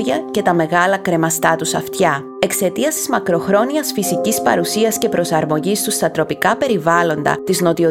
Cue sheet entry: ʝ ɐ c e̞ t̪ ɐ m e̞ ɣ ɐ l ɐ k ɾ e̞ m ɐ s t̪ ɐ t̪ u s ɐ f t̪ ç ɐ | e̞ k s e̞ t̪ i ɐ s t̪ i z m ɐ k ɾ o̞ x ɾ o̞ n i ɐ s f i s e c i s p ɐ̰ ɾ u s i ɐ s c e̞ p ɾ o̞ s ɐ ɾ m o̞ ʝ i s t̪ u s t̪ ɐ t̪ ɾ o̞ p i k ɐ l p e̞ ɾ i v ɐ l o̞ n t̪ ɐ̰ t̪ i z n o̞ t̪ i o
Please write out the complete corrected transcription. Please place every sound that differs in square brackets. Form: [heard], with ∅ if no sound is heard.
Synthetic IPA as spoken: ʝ ɐ c e̞ t̪ ɐ m e̞ ɣ ɐ l ɐ k ɾ e̞ m ɐ s t̪ ɐ t̪ u s ɐ f t̪ ç ɐ | e̞ k s e̞ t̪ i ɐ s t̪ i z m ɐ k ɾ o̞ x ɾ o̞ n i ɐ s f i s [i] c i s p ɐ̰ ɾ u s i ɐ s c e̞ p ɾ o̞ s ɐ ɾ m o̞ ʝ i s t̪ u s t̪ ɐ t̪ ɾ o̞ p i k ɐ [∅] p e̞ ɾ i v ɐ l o̞ n [d̪] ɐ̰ t̪ i z n o̞ t̪ i o